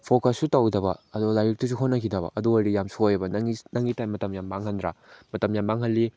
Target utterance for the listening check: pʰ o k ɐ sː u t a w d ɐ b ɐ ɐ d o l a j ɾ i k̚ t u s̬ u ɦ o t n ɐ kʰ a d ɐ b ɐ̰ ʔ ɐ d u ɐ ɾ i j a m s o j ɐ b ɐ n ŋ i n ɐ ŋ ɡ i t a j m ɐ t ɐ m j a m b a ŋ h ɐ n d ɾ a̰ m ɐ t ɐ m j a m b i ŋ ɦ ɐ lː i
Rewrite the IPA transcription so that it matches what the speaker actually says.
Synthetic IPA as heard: pʰ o k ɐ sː u t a w d ɐ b ɐ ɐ d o l a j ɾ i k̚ t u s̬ u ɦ o t n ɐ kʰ i d ɐ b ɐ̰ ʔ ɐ d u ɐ ɾ i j a m s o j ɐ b ɐ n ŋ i n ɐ ŋ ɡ i t a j m ɐ t ɐ m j a m b a ŋ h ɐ n d ɾ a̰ m ɐ t ɐ m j a m b a ŋ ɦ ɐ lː i